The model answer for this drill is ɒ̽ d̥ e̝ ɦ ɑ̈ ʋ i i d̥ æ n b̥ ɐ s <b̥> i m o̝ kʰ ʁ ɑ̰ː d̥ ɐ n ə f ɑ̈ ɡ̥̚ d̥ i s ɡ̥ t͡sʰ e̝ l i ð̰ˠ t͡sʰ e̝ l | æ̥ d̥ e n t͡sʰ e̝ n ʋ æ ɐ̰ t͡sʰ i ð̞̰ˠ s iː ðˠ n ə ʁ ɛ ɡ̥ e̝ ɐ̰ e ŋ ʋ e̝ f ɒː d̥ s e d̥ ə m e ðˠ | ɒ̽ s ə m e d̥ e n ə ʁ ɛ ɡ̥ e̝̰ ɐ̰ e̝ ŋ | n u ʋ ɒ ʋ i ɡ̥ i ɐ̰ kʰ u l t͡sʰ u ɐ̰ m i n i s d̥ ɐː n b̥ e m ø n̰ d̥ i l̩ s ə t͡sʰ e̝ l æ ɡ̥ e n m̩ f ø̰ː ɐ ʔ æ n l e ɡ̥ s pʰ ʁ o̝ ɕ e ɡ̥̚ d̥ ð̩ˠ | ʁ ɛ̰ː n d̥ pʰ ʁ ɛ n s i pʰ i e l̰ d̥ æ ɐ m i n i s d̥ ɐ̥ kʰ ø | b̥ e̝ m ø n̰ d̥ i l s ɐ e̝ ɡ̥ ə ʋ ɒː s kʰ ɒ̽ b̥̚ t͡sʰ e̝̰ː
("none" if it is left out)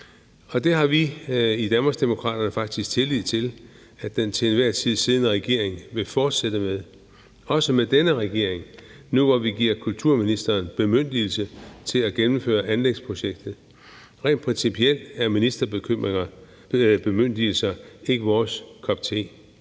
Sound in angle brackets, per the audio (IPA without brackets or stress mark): d̥